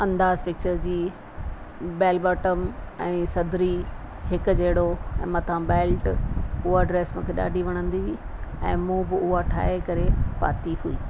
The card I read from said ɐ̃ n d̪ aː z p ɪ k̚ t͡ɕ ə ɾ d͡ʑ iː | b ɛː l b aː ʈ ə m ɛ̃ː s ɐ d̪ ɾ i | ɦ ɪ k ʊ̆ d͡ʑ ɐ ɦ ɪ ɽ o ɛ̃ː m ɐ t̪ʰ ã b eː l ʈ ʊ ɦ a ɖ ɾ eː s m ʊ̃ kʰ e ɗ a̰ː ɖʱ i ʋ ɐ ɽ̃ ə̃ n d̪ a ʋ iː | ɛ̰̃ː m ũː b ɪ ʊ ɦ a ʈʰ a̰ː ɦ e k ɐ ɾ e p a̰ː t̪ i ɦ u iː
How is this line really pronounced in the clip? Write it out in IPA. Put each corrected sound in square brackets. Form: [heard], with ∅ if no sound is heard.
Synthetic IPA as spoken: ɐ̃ n d̪ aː z p ɪ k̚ t͡ɕ ə ɾ d͡ʑ iː | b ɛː l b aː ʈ ə m ɛ̃ː s ɐ d̪ ɾ i | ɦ ɪ k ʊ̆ d͡ʑ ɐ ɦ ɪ ɽ o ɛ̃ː m ɐ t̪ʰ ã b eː l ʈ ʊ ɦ a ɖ ɾ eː s m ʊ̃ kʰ e ɗ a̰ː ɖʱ i ʋ ɐ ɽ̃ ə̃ n d̪ [i] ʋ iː | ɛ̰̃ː m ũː b ɪ ʊ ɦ a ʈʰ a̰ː ɦ e k ɐ ɾ e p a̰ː t̪ i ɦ u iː